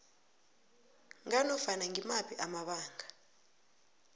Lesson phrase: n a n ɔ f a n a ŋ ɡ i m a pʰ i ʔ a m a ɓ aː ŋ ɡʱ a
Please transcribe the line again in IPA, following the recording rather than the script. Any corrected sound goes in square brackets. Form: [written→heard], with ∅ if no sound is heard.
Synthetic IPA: [n→ŋ] a n ɔ f a n a ŋ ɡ i m a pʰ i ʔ a m a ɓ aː ŋ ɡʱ a